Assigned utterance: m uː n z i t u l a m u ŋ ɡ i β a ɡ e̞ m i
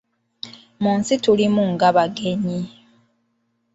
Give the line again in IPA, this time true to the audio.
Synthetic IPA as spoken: m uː n s i t u l i m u ŋ ɡ a β a ɡ e̞ ɲ i